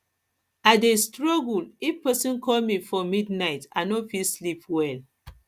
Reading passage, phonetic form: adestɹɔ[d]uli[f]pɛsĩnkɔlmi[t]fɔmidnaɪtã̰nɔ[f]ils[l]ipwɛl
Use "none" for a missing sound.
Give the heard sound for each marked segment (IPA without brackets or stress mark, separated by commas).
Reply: ɡ, f, none, f, l